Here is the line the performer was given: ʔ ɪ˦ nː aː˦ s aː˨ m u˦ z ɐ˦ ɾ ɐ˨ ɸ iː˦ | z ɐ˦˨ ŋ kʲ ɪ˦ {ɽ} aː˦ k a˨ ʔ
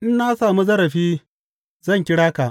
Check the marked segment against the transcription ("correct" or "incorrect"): correct